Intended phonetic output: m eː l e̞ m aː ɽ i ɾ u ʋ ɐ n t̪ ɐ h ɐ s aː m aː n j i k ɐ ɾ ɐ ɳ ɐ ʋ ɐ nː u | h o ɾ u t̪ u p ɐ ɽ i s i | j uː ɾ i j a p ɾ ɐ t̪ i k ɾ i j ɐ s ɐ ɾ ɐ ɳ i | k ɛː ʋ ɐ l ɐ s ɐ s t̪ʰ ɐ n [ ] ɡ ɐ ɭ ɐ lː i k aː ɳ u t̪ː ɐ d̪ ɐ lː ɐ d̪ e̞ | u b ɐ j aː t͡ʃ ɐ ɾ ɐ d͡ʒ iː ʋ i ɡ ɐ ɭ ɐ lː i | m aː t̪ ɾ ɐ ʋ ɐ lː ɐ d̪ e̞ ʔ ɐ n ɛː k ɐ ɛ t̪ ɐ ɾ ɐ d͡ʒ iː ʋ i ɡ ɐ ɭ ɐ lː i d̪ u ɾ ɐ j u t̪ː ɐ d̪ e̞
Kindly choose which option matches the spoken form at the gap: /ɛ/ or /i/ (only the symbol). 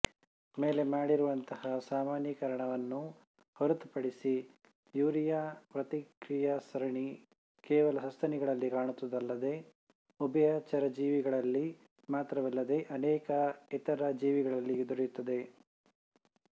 i